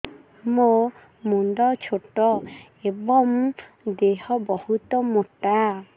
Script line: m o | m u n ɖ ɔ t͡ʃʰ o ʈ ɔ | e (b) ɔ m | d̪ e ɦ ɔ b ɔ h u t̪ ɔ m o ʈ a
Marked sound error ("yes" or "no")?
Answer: no